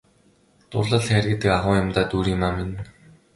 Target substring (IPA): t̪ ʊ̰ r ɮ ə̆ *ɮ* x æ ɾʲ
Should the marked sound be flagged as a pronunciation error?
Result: no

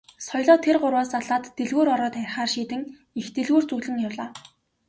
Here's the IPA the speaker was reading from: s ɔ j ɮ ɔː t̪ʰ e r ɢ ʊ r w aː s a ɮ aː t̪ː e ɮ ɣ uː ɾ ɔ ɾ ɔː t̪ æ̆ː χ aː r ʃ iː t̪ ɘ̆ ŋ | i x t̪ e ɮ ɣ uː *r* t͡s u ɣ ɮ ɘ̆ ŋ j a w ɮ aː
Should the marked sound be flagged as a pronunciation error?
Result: no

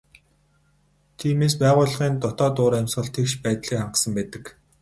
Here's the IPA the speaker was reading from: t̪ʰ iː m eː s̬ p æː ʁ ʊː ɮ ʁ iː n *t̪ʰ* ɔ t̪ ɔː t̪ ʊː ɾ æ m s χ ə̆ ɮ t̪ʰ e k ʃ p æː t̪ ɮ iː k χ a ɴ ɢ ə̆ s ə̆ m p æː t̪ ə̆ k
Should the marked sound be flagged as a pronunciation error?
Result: yes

